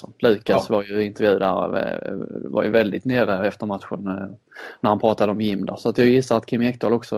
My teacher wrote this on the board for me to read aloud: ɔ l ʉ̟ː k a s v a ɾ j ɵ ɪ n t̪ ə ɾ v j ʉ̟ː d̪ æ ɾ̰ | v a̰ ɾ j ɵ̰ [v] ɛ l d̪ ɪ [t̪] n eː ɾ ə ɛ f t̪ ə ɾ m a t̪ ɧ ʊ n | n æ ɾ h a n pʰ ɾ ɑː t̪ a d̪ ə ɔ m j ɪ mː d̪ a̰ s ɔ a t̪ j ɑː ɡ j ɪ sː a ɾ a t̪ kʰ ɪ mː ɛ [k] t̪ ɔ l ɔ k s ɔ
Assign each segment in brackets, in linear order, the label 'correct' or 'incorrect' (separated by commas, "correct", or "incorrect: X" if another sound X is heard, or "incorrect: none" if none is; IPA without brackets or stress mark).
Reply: correct, correct, correct